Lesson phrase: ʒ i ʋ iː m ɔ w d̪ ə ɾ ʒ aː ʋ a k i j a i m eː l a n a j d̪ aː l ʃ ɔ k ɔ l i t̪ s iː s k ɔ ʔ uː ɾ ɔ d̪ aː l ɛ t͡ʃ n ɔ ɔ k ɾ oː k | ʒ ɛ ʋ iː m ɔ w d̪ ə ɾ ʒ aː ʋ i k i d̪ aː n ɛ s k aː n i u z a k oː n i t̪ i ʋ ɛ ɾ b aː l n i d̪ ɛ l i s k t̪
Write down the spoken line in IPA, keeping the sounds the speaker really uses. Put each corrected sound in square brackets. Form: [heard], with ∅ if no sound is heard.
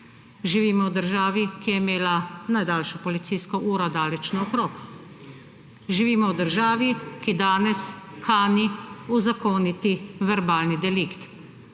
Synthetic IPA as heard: ʒ i ʋ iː m ɔ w d̪ ə ɾ ʒ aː ʋ [i] k i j [ɛ] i m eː l a n a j d̪ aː l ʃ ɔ [p] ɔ l i t̪ s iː s k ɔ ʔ uː ɾ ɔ d̪ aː l ɛ t͡ʃ n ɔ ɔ k ɾ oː k | ʒ [i] ʋ iː m ɔ w d̪ ə ɾ ʒ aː ʋ i k i d̪ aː n ɛ s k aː n i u z a k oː n i t̪ i ʋ ɛ ɾ b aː l n i d̪ ɛ l i [∅] k t̪